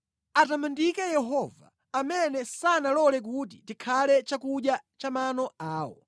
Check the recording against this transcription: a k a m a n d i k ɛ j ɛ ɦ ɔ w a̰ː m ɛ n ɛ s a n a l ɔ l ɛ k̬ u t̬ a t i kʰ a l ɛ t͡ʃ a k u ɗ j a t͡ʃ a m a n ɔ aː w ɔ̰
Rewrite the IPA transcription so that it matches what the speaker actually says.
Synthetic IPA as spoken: a t a m a n d i k ɛ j ɛ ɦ ɔ v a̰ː m ɛ n ɛ s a n a l ɔ l ɛ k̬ u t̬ i t i kʰ a l ɛ t͡ʃ a k u ɗ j a t͡ʃ a m a n ɔ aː w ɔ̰